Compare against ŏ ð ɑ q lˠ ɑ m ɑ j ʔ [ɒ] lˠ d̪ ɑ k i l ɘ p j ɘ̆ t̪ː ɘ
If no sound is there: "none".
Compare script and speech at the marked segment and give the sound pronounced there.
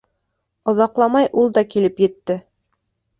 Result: u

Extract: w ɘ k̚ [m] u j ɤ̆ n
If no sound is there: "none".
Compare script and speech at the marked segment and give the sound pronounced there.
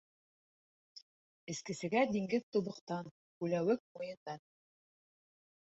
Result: m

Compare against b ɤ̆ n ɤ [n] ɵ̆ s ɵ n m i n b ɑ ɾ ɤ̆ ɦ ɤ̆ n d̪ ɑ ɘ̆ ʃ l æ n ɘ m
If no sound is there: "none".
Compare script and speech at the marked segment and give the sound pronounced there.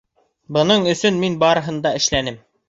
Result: ɴ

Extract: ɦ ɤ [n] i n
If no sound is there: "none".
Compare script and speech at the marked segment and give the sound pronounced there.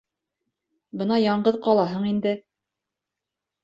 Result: ɴ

